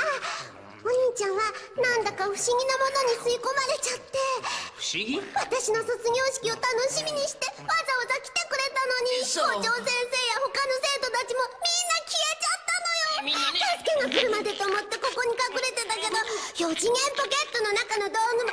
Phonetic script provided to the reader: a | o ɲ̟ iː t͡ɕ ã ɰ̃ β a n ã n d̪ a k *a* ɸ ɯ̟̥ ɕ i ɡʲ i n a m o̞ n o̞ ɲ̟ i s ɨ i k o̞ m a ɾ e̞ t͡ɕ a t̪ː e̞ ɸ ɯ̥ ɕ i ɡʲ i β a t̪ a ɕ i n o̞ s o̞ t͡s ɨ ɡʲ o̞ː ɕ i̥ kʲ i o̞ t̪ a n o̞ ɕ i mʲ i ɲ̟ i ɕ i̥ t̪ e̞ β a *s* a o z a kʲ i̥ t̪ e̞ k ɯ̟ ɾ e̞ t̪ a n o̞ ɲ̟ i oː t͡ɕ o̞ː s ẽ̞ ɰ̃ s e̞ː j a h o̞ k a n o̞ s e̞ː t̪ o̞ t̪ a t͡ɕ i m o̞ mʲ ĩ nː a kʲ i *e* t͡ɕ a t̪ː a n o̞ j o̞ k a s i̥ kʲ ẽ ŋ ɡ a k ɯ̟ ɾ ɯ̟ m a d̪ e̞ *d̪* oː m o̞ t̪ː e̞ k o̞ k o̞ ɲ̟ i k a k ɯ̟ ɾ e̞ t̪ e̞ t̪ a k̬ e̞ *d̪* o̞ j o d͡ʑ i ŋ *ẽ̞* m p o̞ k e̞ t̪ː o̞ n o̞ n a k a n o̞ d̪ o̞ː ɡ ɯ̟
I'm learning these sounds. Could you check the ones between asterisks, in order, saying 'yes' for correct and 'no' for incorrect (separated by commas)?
yes, no, yes, no, yes, yes